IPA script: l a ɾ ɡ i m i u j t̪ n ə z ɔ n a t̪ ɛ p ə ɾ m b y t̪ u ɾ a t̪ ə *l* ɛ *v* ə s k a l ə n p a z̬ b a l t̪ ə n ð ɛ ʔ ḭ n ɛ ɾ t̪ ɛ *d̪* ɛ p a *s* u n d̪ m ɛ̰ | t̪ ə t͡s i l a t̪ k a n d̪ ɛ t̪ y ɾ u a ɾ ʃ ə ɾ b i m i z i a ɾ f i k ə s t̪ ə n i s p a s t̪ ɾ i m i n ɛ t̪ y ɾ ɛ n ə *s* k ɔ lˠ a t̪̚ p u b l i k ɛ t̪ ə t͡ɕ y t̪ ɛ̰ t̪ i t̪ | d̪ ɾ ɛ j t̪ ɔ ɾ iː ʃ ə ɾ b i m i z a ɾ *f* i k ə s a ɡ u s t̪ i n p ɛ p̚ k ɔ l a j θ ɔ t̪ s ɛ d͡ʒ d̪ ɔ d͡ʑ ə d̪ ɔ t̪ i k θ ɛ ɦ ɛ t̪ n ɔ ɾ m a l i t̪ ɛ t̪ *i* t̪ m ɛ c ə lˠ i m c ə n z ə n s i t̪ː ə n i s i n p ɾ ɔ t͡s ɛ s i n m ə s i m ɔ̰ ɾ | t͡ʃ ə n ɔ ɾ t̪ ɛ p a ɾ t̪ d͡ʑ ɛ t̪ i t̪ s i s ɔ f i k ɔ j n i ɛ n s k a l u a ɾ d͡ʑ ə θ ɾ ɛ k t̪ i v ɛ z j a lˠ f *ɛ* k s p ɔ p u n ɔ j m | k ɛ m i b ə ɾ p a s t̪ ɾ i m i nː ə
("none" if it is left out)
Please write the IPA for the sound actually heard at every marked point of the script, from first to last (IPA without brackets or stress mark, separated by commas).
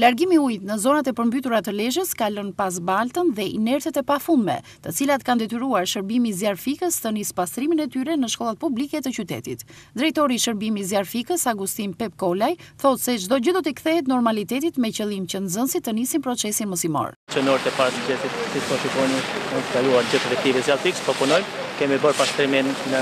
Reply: l, ʒ, t̪, f, ʃ, f, i, i